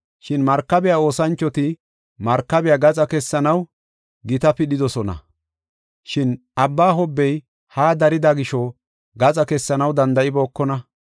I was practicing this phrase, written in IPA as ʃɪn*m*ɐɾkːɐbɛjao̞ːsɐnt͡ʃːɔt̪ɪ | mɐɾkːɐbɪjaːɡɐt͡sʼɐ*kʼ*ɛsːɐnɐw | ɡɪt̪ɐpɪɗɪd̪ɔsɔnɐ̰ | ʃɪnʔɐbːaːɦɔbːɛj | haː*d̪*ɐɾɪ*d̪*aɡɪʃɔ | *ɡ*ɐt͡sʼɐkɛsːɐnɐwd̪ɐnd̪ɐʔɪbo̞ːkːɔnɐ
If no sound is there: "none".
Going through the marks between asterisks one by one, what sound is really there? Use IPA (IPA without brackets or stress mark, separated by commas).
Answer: m, k, d̪, d̪, ɡ